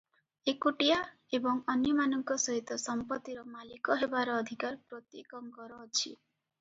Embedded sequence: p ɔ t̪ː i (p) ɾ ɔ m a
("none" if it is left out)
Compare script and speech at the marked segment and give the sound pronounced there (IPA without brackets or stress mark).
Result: none